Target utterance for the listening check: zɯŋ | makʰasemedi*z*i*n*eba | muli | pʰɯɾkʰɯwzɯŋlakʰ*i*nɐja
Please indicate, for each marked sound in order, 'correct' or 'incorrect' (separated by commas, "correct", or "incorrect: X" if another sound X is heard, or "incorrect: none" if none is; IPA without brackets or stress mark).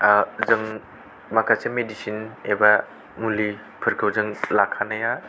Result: incorrect: s, correct, incorrect: a